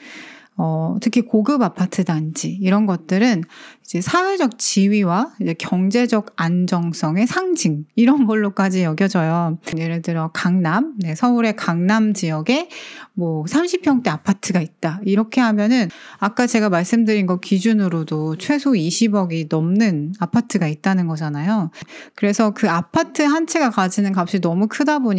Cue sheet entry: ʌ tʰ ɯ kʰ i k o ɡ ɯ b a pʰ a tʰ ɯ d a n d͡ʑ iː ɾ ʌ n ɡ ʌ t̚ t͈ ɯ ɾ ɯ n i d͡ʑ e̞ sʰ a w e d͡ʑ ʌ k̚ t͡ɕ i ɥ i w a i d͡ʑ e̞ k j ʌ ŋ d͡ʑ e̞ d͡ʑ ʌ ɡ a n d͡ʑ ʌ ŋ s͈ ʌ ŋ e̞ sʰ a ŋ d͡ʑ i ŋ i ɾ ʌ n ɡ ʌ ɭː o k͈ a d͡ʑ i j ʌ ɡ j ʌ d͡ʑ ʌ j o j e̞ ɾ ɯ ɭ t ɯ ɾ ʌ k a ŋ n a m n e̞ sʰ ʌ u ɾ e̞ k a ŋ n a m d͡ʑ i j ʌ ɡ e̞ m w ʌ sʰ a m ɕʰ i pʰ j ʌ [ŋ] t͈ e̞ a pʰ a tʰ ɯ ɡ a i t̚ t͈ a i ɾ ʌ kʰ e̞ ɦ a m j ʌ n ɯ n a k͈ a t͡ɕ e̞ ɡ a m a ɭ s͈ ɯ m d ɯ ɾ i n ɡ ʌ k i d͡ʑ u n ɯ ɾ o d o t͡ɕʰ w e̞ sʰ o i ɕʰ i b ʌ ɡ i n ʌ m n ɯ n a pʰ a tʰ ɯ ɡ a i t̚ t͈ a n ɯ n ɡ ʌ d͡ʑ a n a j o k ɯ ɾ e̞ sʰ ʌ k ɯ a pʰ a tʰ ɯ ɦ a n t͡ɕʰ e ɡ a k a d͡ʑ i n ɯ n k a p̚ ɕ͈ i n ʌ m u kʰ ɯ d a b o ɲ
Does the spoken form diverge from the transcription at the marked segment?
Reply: no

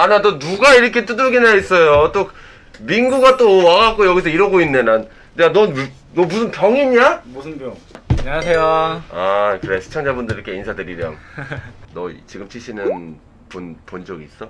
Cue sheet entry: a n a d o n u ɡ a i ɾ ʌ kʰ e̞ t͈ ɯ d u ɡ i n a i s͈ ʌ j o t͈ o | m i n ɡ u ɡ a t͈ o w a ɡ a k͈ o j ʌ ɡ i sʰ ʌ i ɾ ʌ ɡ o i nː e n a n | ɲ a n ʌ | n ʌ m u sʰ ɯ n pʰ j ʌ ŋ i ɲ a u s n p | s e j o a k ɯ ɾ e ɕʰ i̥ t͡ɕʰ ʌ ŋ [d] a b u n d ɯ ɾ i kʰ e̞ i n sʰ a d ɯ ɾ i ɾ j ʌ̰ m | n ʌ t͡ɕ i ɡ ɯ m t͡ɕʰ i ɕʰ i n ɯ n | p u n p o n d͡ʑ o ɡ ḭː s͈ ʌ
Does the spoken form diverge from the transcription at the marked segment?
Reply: yes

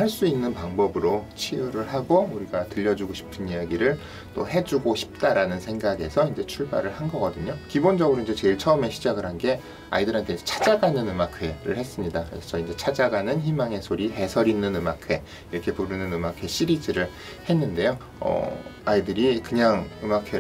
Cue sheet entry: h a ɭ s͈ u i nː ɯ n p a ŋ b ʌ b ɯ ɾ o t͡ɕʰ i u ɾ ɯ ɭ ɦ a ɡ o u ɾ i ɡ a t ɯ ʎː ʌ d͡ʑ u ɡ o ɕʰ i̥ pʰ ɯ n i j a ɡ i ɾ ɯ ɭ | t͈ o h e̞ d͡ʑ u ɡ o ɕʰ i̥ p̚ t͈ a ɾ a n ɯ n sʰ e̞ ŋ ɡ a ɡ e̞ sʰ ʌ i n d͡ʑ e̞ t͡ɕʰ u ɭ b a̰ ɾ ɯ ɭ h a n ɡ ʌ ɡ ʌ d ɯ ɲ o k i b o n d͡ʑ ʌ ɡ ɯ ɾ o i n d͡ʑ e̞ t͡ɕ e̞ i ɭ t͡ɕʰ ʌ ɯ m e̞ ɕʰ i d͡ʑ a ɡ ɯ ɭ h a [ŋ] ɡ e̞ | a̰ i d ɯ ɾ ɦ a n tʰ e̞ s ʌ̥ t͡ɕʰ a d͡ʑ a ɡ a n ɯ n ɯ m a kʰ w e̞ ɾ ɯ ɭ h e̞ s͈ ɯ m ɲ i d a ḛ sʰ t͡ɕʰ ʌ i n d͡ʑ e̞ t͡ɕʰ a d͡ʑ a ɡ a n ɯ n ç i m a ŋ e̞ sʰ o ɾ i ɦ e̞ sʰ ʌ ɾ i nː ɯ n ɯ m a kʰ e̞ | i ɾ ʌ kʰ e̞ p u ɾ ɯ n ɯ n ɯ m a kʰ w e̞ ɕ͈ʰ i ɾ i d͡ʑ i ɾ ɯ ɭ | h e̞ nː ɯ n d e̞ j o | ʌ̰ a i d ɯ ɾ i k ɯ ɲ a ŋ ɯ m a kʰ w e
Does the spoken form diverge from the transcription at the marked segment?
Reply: yes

